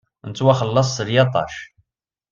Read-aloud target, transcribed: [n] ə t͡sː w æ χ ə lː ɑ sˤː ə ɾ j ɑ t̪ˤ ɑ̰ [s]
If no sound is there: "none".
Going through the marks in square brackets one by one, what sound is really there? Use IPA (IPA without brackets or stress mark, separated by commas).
n, ʃ